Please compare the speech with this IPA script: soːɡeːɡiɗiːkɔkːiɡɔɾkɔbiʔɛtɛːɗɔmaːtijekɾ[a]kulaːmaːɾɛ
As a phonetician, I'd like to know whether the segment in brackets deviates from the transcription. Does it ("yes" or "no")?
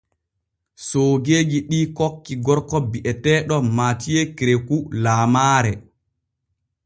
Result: yes